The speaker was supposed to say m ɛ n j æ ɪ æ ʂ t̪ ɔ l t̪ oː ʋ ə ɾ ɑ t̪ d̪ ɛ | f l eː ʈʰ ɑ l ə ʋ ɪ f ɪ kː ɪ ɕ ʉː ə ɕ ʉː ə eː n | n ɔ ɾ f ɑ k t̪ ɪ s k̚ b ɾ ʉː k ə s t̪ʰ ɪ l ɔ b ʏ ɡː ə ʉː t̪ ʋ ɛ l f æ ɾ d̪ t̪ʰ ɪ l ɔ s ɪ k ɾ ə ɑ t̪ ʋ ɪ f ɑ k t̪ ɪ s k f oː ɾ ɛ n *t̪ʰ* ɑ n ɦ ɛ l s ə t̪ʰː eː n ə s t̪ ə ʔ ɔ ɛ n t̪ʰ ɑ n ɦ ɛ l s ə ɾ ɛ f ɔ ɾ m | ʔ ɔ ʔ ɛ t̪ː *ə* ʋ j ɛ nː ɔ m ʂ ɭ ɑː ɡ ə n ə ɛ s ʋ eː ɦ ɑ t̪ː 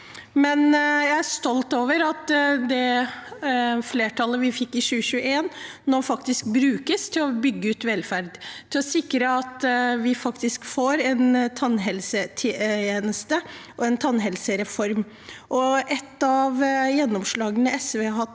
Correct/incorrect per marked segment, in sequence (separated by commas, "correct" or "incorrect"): correct, incorrect